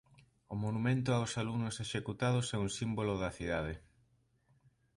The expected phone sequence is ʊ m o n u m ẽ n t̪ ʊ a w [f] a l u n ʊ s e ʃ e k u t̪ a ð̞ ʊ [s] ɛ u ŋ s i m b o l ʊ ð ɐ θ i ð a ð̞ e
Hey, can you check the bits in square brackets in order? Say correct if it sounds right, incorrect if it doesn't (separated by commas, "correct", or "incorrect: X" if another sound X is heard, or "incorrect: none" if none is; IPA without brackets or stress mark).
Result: incorrect: s, correct